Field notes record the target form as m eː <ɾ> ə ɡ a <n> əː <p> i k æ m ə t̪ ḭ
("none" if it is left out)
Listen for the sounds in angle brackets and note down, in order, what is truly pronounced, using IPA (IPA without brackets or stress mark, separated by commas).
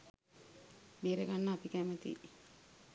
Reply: ɾ, nː, p